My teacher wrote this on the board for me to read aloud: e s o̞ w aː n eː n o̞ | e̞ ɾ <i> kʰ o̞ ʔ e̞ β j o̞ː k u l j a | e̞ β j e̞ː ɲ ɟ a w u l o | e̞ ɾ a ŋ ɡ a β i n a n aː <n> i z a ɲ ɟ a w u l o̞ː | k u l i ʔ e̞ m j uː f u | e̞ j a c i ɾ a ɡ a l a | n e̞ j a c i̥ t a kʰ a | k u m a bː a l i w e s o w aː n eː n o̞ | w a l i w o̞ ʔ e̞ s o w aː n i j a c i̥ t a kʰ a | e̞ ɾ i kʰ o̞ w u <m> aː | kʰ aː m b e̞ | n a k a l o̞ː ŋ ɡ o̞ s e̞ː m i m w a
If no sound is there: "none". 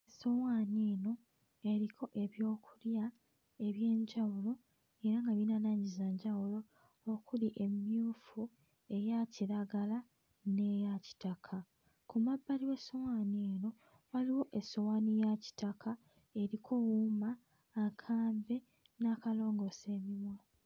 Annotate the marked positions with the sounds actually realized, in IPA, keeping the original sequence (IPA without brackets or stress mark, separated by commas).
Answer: i, ɲ, m